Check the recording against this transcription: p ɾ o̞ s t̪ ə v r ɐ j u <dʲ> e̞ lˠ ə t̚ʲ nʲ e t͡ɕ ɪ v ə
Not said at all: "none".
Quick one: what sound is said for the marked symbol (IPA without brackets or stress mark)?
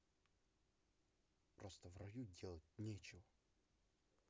dʲ